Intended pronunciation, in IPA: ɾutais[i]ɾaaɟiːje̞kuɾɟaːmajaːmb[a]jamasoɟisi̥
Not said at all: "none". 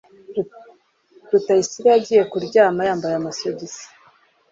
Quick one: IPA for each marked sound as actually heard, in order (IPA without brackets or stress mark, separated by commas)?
i, a